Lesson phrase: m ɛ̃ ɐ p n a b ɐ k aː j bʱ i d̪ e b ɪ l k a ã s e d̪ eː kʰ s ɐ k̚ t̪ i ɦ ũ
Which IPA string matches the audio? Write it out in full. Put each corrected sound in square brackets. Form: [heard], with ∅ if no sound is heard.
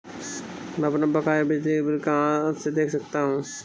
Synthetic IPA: m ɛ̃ ɐ p n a b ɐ k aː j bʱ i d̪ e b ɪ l k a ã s e d̪ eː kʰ s ɐ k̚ t̪ [a] ɦ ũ